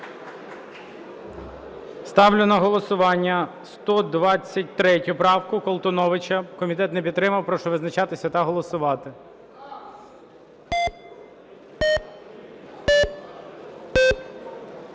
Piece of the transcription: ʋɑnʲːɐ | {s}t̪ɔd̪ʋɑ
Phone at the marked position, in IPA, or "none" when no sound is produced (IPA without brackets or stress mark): s